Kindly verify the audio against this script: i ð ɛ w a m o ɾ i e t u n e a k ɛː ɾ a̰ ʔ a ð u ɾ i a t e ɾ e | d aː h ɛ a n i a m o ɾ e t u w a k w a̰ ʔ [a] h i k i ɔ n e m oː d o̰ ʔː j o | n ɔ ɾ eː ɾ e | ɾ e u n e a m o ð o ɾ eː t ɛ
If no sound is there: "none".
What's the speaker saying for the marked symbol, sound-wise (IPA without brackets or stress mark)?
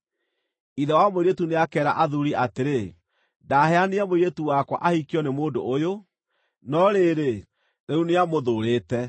a